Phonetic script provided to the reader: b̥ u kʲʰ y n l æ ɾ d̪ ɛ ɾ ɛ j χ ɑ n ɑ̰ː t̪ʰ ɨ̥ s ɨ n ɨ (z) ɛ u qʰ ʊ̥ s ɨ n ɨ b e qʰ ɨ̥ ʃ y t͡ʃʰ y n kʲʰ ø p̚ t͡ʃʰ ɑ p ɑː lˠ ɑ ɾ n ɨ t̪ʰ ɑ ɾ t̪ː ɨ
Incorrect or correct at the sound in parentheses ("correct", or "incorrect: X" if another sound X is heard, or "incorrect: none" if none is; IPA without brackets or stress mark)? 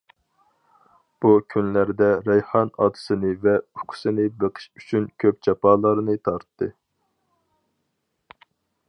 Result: incorrect: v